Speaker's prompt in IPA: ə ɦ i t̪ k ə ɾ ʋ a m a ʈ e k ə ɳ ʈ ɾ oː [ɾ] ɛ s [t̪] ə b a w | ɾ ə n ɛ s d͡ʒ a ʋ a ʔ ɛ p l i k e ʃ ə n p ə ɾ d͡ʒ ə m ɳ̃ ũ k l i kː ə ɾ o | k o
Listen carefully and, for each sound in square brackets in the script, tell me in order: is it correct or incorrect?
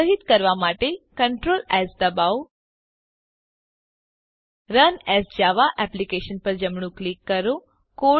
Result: incorrect: l, incorrect: d̪

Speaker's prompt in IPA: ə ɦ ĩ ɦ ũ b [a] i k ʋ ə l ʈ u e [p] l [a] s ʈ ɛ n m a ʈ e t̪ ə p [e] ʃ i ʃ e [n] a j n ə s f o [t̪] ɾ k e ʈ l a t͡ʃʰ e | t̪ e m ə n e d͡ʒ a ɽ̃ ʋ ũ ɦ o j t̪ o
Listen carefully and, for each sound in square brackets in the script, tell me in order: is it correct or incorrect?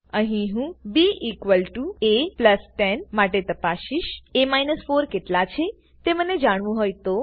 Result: incorrect: i, correct, incorrect: ə, incorrect: a, incorrect: m, incorrect: none

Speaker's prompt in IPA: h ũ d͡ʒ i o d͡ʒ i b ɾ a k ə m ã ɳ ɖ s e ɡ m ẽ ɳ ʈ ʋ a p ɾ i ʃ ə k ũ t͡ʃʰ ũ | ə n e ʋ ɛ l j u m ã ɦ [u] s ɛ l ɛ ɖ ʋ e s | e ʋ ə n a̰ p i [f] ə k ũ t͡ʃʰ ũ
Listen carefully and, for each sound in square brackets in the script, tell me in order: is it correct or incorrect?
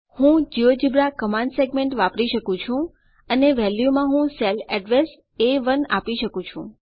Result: incorrect: ũ, incorrect: ʃ

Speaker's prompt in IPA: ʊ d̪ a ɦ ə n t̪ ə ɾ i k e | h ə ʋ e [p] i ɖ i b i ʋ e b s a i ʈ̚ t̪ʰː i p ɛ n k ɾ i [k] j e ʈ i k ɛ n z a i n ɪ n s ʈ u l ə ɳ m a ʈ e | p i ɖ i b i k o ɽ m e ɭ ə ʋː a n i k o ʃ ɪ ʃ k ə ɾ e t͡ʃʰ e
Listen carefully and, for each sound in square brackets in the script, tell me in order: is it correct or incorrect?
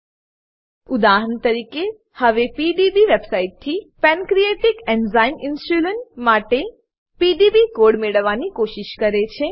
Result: correct, incorrect: none

